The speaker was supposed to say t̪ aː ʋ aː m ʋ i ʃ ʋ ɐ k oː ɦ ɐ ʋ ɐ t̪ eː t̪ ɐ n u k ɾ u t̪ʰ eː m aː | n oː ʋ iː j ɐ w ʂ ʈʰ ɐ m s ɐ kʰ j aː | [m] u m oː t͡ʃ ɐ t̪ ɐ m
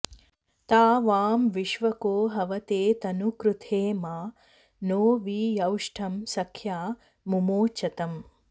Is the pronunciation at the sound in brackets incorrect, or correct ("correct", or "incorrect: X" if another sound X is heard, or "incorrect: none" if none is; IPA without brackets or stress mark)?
correct